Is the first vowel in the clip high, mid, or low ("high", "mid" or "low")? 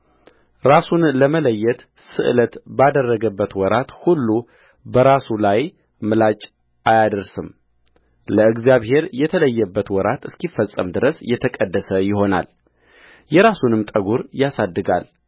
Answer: low